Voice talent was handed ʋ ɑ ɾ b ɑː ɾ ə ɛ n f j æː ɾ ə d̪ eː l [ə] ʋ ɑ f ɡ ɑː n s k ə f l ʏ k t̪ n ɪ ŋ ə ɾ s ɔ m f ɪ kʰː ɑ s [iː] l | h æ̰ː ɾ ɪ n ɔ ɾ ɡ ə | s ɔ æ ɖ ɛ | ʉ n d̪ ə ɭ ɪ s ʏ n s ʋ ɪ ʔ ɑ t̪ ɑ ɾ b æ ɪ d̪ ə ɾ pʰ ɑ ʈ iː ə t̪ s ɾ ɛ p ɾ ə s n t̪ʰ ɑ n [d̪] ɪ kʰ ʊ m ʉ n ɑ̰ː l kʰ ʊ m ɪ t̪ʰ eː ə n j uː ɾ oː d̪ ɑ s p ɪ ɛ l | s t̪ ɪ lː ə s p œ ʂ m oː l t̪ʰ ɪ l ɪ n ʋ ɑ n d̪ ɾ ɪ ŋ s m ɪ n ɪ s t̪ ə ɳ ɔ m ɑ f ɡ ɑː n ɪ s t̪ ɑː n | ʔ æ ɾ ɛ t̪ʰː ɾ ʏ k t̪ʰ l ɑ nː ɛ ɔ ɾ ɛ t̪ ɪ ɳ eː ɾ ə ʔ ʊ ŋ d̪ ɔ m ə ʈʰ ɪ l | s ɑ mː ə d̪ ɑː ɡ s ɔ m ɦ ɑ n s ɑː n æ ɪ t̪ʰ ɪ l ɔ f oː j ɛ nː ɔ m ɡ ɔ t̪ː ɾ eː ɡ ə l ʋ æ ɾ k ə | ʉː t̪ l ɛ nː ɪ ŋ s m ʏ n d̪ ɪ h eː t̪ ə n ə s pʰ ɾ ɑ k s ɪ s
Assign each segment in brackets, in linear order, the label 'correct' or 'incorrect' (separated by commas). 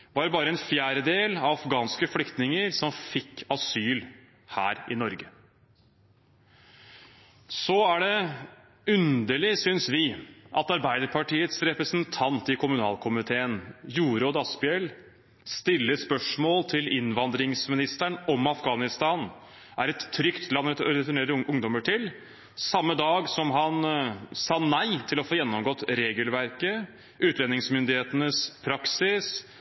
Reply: incorrect, incorrect, incorrect